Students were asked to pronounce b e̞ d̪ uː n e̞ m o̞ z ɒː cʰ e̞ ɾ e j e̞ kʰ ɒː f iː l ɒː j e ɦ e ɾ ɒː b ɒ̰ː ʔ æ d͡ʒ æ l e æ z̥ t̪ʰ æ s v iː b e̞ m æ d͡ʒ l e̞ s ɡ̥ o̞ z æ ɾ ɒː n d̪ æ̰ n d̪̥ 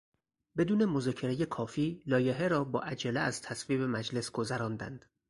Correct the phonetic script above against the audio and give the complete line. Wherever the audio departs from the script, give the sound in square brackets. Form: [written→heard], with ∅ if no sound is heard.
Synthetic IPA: b e̞ d̪ uː n e̞ m o̞ z ɒː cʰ e̞ ɾ e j e̞ kʰ ɒː f iː l ɒː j e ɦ e ɾ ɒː b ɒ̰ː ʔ æ d͡ʒ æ l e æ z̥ t̪ʰ æ s v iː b e̞ m æ d͡ʒ l e̞ s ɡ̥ o̞ z æ ɾ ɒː n d̪ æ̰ n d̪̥